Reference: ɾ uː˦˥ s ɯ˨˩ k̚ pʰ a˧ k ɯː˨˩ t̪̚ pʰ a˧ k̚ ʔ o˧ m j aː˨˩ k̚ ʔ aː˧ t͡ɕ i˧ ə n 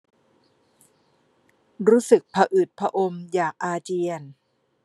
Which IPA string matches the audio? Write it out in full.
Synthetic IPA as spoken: ɾ uː˦˥ s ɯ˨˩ k̚ pʰ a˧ ʔ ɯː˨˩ t̪̚ pʰ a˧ ʔ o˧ m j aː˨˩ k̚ ʔ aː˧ t͡ɕ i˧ ə n